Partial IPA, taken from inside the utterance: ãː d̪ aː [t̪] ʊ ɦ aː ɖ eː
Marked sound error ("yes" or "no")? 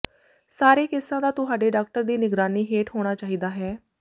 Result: no